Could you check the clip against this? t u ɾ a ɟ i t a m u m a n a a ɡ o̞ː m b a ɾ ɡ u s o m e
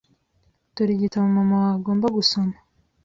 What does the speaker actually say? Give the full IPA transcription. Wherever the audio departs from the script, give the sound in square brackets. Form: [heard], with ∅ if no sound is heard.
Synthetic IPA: t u ɾ [i] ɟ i t a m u m a [m] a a ɡ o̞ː m b a [∅] ɡ u s o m [a]